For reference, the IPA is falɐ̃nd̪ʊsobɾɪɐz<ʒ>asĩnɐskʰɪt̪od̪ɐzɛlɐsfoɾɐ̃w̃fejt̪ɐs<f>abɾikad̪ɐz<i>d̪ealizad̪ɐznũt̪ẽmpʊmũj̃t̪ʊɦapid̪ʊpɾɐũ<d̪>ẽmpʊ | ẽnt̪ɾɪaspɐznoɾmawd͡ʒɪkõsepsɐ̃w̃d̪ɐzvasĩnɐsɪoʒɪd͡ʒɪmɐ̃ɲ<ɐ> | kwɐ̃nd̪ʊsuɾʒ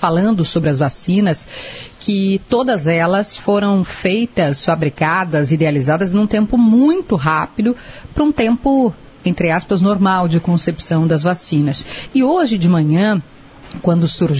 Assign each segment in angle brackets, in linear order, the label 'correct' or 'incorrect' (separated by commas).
incorrect, correct, correct, incorrect, incorrect